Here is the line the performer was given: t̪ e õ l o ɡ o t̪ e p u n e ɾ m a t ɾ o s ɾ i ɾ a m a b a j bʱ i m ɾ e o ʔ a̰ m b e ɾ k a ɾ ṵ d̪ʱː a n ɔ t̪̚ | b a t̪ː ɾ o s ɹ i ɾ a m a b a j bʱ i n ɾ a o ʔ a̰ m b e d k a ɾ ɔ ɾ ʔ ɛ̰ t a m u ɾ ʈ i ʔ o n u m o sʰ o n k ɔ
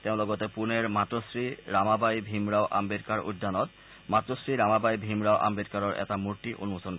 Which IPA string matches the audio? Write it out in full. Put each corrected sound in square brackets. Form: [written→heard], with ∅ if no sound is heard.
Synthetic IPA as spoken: t̪ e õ l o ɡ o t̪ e p u n e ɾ m a t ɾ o s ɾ i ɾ a m a b a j bʱ i m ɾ [e→a] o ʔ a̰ m b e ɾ k a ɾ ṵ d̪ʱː a n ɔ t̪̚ | [b→m] a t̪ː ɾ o s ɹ i ɾ a m a b a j bʱ i [n→m] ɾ a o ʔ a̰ m b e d k a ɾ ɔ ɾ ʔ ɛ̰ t a m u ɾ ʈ i ʔ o n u m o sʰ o n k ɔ